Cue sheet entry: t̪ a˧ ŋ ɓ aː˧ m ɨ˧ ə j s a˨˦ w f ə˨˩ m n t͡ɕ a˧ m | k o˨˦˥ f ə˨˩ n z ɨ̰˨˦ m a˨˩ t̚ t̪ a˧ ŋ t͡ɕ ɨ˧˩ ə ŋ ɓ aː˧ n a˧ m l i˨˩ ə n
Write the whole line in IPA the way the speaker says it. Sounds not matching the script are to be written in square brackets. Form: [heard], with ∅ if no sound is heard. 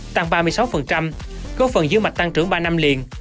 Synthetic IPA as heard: t̪ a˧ ŋ ɓ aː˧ m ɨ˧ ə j s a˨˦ w f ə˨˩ [∅] n t͡ɕ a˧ m | k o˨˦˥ f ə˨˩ n z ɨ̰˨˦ m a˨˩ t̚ t̪ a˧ ŋ t͡ɕ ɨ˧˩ ə ŋ ɓ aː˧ n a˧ m l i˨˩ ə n